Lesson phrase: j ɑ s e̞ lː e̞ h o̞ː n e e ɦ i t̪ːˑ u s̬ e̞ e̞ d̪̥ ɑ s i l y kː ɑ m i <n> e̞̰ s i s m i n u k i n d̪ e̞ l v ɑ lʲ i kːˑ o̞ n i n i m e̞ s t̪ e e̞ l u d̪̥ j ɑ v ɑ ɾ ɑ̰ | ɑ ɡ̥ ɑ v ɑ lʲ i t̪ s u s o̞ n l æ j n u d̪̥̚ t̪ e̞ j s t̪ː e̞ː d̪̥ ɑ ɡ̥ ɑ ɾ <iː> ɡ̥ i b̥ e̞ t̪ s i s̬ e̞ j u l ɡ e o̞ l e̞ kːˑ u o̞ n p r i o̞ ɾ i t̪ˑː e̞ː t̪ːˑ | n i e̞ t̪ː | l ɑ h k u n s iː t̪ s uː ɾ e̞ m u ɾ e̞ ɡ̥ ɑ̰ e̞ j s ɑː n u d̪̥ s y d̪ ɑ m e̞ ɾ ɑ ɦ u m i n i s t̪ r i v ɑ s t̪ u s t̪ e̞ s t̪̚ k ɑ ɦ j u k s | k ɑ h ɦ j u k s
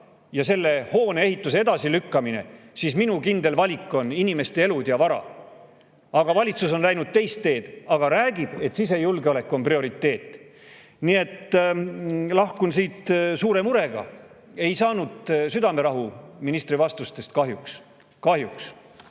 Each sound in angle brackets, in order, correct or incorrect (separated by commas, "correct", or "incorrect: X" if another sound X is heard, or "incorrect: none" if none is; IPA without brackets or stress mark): correct, incorrect: æː